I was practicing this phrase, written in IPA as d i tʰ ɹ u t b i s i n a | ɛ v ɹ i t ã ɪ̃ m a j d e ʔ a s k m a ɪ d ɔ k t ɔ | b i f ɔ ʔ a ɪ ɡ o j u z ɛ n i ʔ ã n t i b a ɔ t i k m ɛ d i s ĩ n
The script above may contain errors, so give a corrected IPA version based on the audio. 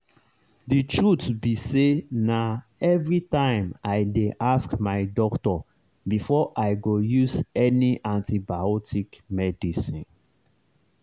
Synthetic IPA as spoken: d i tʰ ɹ u t b i s e n a | ɛ v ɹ i t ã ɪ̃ m a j d e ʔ a s k m a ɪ d ɔ k t ɔ | b i f ɔ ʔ a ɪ ɡ o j u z ɛ n i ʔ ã n t i b a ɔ t i k m ɛ d i s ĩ n

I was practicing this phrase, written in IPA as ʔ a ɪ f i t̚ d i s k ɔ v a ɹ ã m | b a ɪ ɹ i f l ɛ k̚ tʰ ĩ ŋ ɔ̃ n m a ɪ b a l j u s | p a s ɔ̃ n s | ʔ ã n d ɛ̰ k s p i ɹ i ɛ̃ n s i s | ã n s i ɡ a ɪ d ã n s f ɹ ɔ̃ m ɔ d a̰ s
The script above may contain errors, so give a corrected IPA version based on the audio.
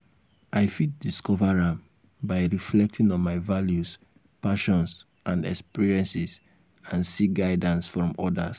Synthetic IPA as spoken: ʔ a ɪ f i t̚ d i s k ɔ v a ɹ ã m | b a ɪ ɹ i f l ɛ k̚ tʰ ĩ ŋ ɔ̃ n m a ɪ v a l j u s | p a ʃ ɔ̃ n s | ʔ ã n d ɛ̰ k s p i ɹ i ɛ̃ n s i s | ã n s i ɡ a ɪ d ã n s f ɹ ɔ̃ m ɔ d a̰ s

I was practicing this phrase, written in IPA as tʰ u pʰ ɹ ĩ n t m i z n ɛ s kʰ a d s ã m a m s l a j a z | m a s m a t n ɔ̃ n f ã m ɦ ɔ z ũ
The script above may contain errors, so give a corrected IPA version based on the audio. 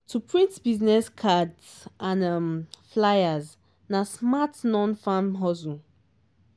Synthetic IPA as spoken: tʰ u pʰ ɹ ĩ n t b i z n ɛ s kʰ a d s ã n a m f l a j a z | n a s m a t n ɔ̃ n f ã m ɦ ɔ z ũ

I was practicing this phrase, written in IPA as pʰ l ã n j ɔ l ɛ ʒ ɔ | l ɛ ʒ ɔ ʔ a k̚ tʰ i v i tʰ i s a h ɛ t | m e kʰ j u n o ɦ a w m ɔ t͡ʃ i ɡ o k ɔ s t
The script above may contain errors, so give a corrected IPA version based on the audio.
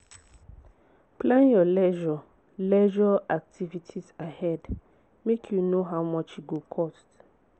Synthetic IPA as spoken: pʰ l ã n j ɔ l ɛ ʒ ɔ | l ɛ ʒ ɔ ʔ a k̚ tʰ i v i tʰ i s a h ɛ d | m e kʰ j u n o ɦ a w m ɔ t͡ʃ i ɡ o kʰ ɔ s t

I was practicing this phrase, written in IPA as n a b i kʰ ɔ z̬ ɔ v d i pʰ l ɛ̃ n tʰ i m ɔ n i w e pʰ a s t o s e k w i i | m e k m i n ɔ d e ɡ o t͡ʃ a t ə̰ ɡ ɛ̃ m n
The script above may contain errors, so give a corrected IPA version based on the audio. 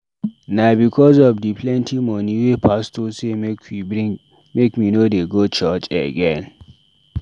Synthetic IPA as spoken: n a b i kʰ ɔ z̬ ɔ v d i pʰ l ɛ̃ n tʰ i m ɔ n i w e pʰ a s t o s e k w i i | m e k m i n o d e ɡ o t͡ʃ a t͡ʃ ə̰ ɡ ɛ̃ n

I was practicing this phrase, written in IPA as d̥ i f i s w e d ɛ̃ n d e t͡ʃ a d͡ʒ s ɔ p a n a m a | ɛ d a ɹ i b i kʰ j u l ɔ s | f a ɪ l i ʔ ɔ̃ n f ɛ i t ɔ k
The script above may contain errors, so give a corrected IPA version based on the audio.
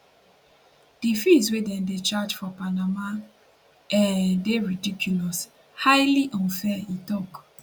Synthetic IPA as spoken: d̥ i f i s w e d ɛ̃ n d e t͡ʃ a d͡ʒ f ɔ p a n a m a | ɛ d e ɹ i d i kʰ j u l ɔ s | h a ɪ l i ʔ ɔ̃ n f ɛ i t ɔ k

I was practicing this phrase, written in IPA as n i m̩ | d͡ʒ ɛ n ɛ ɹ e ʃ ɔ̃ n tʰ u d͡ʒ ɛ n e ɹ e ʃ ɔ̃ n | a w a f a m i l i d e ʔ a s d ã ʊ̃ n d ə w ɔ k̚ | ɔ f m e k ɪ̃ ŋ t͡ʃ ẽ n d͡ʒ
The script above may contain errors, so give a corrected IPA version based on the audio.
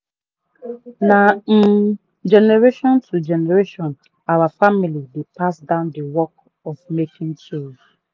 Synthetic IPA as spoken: n a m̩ | d͡ʒ ɛ n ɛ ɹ e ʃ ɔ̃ n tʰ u d͡ʒ ɛ n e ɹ e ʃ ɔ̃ n | a w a f a m i l i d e p a s d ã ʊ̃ n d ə w ɔ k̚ | ɔ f m e k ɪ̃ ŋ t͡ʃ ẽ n d͡ʒ

